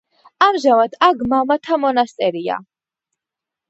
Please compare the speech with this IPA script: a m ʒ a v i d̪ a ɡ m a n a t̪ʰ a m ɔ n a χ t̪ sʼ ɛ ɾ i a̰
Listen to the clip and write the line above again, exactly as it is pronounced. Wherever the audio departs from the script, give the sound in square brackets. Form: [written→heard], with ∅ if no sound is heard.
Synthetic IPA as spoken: a m ʒ a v [i→a] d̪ a ɡ m a [n→m] a t̪ʰ a m ɔ n a [χ→s] t̪ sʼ ɛ ɾ i a̰

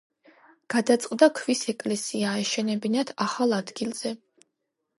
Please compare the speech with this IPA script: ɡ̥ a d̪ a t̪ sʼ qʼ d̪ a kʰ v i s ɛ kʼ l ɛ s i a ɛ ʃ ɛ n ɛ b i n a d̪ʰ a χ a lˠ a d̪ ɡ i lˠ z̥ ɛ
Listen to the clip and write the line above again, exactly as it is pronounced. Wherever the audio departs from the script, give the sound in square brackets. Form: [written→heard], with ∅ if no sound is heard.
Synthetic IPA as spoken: ɡ̥ a d̪ a t̪ sʼ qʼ d̪ a kʰ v i s ɛ kʼ l ɛ s i a ɛ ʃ ɛ n ɛ b i n a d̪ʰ a χ a lˠ a d̪ ɡ i lˠ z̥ ɛ

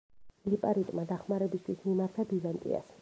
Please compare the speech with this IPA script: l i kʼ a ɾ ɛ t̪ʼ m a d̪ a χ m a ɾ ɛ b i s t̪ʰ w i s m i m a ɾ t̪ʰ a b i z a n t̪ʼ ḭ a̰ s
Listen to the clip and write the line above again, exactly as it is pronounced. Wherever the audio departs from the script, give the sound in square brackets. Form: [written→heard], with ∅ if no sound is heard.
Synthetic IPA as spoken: l i [kʼ→pʼ] a ɾ [ɛ→i] t̪ʼ m a d̪ a χ m a ɾ ɛ b i s t̪ʰ w i s m i m a ɾ t̪ʰ a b i z a n t̪ʼ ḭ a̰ s

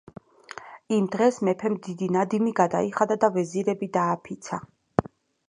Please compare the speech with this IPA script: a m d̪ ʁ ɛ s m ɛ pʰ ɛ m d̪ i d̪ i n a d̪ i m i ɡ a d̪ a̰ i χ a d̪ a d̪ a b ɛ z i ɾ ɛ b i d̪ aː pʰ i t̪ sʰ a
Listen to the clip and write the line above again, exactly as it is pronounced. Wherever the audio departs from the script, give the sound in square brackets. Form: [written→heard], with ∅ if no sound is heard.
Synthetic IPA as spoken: [a→i] m d̪ ʁ ɛ s m ɛ pʰ ɛ m d̪ i d̪ i n a d̪ i m i ɡ a d̪ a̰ i χ a d̪ a d̪ a [b→v] ɛ z i ɾ ɛ b i d̪ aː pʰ i t̪ sʰ a

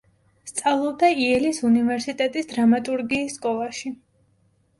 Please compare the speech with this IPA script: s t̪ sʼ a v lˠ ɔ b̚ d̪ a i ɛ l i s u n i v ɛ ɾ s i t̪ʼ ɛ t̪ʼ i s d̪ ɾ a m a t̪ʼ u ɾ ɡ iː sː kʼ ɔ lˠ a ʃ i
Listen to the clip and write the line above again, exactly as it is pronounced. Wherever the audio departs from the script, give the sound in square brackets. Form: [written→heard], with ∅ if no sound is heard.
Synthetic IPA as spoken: s t̪ sʼ a v lˠ ɔ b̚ d̪ a i ɛ l i s u n i v ɛ ɾ s i t̪ʼ ɛ t̪ʼ i s d̪ ɾ a m a t̪ʼ u ɾ ɡ iː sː kʼ ɔ lˠ a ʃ i

